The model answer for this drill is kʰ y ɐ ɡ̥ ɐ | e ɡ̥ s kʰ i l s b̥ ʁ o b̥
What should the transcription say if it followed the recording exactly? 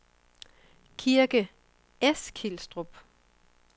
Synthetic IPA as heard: kʰ i ɐ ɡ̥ ə | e s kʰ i l s d̥ ʁ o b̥